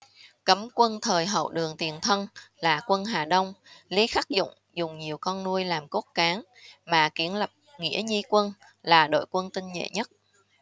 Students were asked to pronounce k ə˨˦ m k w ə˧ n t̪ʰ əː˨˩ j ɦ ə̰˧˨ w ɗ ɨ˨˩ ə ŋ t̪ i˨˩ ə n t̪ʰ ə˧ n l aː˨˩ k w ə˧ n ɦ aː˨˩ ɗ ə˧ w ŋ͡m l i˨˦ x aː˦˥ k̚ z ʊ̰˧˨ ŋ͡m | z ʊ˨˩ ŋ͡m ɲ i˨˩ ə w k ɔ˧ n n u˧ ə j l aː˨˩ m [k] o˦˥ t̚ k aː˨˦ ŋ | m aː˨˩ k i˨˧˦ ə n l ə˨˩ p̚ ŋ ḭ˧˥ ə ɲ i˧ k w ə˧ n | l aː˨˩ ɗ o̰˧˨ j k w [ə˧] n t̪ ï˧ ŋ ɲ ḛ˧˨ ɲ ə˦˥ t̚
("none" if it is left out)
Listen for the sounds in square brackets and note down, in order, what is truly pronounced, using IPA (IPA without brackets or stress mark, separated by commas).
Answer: k, ə˧